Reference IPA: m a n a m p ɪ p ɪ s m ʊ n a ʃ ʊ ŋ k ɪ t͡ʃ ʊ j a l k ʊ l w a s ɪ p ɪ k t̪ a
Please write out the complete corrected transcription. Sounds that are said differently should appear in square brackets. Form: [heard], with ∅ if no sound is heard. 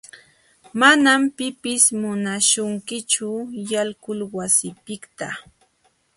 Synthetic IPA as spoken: m a n a m p ɪ p ɪ s m ʊ n a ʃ ʊ ŋ k ɪ t͡ʃ ʊ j a l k ʊ l w a s ɪ p ɪ k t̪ a